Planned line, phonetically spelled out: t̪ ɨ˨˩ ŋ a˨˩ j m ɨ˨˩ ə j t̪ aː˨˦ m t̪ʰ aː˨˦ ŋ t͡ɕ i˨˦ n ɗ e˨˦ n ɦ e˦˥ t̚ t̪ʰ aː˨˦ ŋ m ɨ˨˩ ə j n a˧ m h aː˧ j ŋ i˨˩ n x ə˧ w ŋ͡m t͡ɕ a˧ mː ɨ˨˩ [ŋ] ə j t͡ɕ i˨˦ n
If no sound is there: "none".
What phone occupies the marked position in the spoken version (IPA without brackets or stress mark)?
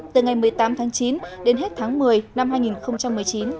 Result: none